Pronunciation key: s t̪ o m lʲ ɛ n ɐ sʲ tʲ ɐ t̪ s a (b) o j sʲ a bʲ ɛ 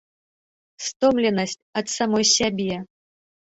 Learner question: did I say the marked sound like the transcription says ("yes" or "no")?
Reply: no